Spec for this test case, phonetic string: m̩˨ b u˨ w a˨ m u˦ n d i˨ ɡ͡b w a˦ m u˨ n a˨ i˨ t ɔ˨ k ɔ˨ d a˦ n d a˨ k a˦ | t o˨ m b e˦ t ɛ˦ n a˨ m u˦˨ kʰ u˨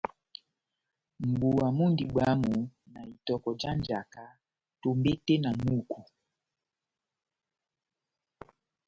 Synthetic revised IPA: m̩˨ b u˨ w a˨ m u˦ n d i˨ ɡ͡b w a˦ m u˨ n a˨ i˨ t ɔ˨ k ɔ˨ d͡ʒ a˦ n d͡ʒ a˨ k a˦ | t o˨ m b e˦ t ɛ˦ n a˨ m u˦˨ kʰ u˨

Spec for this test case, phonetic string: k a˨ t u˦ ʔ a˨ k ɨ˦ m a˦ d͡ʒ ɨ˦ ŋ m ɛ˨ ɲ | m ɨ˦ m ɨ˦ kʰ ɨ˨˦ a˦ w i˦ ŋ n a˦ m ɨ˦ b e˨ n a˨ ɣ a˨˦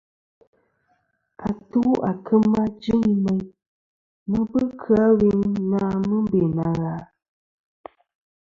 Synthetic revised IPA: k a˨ t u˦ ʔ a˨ k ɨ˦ m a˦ d͡ʒ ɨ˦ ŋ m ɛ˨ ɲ | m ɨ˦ b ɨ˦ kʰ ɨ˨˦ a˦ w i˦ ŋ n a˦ m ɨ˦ b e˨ n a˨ ɣ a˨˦

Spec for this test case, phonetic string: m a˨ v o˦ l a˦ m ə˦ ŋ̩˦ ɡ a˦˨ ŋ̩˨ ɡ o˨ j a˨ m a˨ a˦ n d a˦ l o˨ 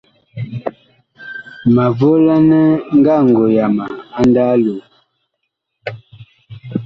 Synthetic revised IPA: m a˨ v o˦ l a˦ n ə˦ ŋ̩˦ ɡ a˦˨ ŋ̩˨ ɡ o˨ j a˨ m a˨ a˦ n d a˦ l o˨

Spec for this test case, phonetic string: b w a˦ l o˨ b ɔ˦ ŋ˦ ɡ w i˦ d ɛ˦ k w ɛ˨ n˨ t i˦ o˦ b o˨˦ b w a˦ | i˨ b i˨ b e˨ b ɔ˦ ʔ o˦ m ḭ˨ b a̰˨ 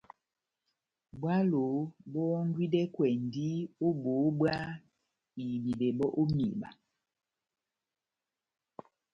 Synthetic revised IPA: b w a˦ l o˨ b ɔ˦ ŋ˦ ɡ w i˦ d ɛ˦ k w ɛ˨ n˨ d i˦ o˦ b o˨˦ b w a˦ | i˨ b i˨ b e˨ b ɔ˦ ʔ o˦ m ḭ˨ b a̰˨

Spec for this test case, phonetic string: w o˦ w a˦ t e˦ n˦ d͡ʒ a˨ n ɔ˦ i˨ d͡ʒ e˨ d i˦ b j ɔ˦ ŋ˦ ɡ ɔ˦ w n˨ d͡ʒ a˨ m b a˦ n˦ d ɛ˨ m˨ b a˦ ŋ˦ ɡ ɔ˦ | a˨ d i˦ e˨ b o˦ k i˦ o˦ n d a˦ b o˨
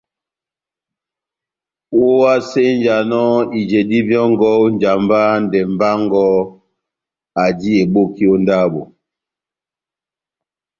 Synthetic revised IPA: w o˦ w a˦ s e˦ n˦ d͡ʒ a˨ n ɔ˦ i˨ d͡ʒ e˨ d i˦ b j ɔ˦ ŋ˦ ɡ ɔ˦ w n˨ d͡ʒ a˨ m b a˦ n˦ d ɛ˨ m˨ b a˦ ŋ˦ ɡ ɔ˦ | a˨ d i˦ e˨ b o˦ k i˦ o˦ n d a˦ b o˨

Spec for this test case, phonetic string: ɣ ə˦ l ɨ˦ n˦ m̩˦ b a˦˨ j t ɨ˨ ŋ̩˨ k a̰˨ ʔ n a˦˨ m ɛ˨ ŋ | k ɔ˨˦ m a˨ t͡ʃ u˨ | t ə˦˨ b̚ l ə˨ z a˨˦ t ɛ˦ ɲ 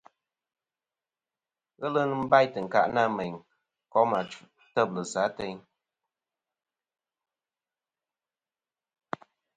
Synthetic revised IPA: ɣ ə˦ l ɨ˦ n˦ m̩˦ b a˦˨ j t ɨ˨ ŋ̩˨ k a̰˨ ʔ n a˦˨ m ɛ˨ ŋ | k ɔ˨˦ m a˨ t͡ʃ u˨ | t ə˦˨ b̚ l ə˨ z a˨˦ t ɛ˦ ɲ

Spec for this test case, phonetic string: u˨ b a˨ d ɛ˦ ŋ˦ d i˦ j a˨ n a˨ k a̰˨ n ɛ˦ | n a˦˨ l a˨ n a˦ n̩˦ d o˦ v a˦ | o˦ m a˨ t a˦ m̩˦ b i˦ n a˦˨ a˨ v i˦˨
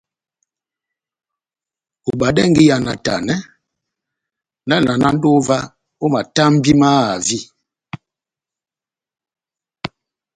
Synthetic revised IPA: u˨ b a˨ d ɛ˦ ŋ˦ ɡ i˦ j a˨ n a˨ t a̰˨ n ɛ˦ | n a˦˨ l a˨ n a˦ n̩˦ d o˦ v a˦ | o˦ m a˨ t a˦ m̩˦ b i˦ m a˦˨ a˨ v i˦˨

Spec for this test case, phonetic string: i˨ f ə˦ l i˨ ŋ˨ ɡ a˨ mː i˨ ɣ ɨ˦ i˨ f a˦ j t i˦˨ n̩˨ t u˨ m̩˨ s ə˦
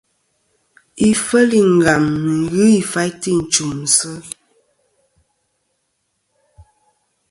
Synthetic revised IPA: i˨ f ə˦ l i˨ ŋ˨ ɡ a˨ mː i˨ ɣ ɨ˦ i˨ f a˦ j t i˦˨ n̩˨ t͡ʃ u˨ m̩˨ s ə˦

